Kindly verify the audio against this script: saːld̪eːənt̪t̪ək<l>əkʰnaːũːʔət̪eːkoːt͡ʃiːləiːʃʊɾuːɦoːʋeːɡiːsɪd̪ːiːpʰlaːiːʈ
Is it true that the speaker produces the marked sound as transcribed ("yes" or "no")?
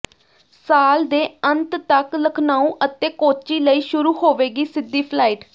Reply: yes